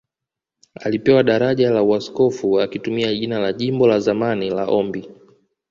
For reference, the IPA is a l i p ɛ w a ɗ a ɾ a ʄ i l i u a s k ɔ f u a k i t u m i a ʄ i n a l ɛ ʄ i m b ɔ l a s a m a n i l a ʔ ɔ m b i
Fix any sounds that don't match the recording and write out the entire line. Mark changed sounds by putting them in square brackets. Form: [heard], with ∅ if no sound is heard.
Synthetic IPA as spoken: a l i p ɛ w a ɗ a ɾ a ʄ [a] l [a] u a s k ɔ f u a k i t u m i a ʄ i n a l [a] ʄ i m b ɔ l a [z] a m a n i l a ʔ ɔ m b i